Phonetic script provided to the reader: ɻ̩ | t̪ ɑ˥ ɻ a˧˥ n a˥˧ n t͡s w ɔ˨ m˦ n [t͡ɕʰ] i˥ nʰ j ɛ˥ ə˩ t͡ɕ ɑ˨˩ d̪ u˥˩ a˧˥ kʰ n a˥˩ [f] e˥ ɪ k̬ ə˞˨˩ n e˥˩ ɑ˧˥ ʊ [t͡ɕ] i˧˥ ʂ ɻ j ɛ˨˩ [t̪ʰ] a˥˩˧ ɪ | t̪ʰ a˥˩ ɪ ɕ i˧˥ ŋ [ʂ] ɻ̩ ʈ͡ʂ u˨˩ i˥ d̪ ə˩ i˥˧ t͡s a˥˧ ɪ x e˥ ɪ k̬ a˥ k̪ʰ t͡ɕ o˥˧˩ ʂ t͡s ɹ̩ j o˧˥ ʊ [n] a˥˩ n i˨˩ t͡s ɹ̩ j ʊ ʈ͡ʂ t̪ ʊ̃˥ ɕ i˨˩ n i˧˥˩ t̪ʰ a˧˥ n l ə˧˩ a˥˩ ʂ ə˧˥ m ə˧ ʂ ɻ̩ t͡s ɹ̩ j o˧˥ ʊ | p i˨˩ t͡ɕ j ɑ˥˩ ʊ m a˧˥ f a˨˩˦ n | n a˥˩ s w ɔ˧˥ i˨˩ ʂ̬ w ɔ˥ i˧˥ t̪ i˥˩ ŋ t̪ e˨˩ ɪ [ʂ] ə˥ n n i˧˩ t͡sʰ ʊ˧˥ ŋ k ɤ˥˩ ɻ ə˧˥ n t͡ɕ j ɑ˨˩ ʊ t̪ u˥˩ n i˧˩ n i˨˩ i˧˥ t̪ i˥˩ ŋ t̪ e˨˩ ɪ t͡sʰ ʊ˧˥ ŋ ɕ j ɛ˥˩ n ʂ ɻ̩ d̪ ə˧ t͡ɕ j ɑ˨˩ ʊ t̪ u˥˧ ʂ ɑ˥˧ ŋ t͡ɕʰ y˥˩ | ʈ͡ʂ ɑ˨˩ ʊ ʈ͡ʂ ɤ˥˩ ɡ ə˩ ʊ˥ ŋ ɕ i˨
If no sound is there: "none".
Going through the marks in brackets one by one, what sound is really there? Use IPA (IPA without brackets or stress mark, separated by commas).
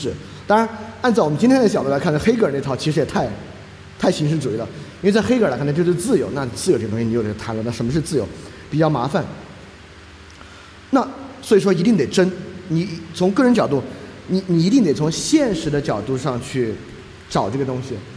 t͡ɕ, x, t͡ɕʰ, t̪ʰ, ʂ, n, ʈ͡ʂ